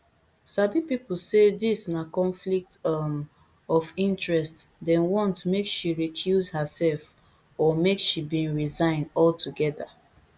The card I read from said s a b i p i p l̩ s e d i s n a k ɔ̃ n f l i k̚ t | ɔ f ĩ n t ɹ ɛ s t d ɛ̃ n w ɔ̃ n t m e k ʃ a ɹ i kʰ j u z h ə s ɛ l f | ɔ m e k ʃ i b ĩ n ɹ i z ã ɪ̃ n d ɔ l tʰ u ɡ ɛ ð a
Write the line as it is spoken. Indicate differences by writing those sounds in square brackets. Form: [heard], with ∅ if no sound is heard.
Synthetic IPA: s a b i p i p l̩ s e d i s n a k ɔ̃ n f l i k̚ t | ɔ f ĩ n t ɹ ɛ s t d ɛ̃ n w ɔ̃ n t m e k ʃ [i] ɹ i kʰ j u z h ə s ɛ l f | ɔ m e k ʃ i b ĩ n ɹ i z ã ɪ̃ n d ɔ l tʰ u ɡ ɛ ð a